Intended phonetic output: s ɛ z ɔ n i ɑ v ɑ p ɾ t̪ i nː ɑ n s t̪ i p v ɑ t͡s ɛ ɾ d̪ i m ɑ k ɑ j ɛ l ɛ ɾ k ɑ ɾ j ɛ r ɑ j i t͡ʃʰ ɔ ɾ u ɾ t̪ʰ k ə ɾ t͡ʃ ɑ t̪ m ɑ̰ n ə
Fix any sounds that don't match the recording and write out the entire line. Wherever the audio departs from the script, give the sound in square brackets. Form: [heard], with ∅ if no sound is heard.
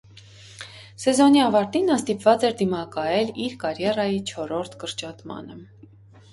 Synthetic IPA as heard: s ɛ z ɔ n i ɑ v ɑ [∅] ɾ t̪ i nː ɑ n s t̪ i p v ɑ t͡s ɛ ɾ d̪ i m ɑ k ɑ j ɛ l [i] ɾ k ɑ ɾ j ɛ r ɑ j i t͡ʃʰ ɔ ɾ [ɔ] ɾ t̪ʰ k ə ɾ t͡ʃ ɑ t̪ m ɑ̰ n ə